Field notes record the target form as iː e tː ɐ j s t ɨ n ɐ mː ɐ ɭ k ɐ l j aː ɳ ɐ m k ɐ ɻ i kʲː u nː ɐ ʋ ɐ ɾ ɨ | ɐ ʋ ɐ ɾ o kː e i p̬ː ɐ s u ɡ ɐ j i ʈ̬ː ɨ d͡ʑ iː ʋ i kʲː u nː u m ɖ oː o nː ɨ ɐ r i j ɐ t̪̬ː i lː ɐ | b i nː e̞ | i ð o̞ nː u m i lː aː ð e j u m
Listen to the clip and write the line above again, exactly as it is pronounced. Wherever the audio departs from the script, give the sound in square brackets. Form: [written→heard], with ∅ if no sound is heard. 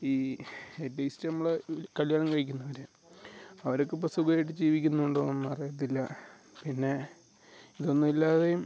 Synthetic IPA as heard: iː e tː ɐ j s t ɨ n ɐ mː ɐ ɭ k ɐ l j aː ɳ ɐ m k ɐ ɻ i kʲː u nː ɐ ʋ ɐ ɾ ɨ | ɐ ʋ ɐ ɾ o kː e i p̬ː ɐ s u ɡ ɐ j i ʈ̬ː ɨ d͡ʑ iː ʋ i kʲː u nː u [m→ɳ] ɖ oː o nː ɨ ɐ r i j ɐ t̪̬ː i lː ɐ | [b→p] i nː e̞ | i ð o̞ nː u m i lː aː ð e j u m

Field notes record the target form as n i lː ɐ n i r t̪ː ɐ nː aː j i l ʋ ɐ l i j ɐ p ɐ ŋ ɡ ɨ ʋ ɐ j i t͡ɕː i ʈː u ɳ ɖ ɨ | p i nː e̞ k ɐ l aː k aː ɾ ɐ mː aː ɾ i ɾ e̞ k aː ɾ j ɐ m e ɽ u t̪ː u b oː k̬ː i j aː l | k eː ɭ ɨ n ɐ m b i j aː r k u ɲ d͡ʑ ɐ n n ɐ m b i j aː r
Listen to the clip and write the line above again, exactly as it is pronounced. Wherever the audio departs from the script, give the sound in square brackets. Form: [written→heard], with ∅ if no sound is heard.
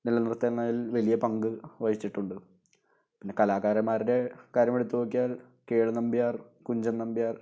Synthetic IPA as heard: n i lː ɐ n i r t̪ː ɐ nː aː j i l ʋ ɐ l i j ɐ p ɐ ŋ ɡ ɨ ʋ ɐ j i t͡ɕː i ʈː u ɳ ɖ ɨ | p i nː e̞ k ɐ l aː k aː ɾ ɐ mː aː ɾ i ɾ e̞ k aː ɾ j ɐ m e ɽ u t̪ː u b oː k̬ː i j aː l | k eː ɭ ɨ n ɐ m b i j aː r k u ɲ d͡ʑ ɐ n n ɐ m b i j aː r

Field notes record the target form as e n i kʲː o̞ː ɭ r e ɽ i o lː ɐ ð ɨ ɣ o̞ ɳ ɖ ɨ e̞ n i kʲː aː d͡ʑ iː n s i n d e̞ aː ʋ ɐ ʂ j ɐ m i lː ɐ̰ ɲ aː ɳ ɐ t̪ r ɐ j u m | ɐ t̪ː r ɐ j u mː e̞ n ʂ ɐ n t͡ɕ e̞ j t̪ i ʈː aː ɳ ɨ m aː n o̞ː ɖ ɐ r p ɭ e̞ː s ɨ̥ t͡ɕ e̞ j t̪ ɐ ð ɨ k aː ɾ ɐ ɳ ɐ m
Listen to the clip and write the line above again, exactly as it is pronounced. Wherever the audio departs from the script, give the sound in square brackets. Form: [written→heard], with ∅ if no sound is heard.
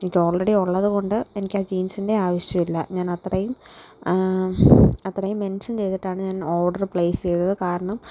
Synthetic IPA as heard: e n i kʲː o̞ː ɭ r e ɽ i o [lː→ɭː] ɐ ð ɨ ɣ o̞ ɳ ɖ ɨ e̞ n i kʲː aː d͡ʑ iː n s i n d e̞ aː ʋ ɐ ʂ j ɐ m i lː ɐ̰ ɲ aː [ɳ→n] ɐ t̪ r ɐ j u m | ɐ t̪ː r ɐ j u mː e̞ n ʂ ɐ n t͡ɕ e̞ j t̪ i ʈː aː ɳ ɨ [m→ɲ] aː n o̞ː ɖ ɐ r p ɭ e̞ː s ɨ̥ t͡ɕ e̞ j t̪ ɐ ð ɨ k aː ɾ ɐ ɳ ɐ m

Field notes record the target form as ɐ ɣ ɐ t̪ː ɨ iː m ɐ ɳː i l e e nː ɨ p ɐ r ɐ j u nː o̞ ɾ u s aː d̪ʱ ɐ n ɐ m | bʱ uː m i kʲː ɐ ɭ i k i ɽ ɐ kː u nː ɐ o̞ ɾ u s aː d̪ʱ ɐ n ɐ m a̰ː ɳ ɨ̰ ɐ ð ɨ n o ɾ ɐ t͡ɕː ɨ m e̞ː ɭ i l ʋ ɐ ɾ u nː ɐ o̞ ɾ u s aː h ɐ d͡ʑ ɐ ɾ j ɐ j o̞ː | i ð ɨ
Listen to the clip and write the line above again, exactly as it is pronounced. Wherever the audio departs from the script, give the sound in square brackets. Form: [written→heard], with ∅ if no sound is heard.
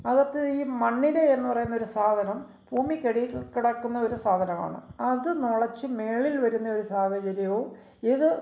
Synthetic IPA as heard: ɐ ɣ ɐ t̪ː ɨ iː m ɐ ɳː i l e e nː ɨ p ɐ r ɐ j u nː o̞ ɾ u s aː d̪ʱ ɐ n ɐ m | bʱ uː m i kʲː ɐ [ɭ→ɽ] i k i ɽ ɐ kː u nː ɐ o̞ ɾ u s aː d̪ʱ ɐ n ɐ m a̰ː ɳ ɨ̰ ɐ ð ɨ n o [ɾ→ɭ] ɐ t͡ɕː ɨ m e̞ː ɭ i l ʋ ɐ ɾ u nː ɐ o̞ ɾ u s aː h ɐ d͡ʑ ɐ ɾ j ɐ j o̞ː | i ð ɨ

